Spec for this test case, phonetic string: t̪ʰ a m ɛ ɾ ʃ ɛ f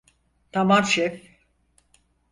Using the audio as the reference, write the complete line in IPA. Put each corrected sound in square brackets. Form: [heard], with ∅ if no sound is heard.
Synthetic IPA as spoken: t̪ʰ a m [a] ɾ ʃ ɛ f